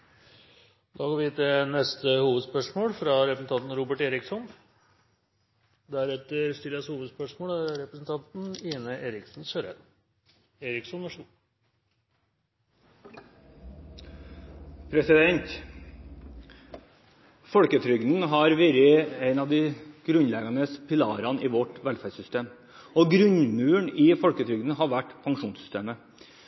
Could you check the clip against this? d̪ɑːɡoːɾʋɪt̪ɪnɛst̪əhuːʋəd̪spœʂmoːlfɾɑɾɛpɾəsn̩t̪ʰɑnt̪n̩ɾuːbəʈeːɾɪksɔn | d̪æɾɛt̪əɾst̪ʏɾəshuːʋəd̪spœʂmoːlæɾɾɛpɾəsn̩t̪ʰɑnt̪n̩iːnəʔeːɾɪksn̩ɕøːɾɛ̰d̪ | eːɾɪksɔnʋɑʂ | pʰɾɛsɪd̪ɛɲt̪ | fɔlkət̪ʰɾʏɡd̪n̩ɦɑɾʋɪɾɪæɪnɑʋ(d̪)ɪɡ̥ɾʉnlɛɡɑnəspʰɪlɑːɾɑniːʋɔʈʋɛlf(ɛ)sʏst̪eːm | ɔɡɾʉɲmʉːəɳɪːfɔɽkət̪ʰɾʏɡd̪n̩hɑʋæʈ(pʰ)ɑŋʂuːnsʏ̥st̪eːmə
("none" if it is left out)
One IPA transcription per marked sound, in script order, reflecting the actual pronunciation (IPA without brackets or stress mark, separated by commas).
d̪, æ, pʰ